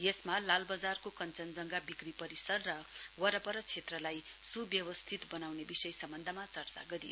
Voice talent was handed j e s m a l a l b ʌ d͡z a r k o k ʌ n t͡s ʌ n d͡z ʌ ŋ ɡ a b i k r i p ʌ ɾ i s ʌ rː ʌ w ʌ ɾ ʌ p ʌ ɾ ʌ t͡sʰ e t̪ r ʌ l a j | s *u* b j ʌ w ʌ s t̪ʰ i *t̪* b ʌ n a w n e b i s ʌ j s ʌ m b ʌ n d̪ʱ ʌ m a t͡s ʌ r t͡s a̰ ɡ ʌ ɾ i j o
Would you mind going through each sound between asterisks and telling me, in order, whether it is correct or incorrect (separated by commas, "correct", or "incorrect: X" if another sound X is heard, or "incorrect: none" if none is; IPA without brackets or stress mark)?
correct, correct